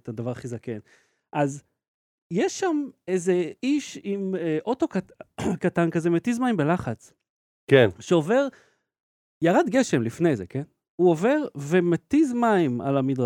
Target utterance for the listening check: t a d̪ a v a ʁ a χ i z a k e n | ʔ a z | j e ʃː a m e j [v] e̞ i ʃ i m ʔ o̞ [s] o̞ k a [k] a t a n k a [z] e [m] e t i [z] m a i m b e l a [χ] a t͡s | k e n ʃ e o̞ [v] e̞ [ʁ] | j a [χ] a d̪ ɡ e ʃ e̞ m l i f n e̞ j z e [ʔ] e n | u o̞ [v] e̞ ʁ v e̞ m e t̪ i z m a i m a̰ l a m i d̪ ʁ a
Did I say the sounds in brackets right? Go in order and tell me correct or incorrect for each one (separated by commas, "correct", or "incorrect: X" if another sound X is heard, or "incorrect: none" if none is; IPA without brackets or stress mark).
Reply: incorrect: z, incorrect: t, correct, correct, correct, correct, correct, correct, correct, incorrect: ʁ, incorrect: k, correct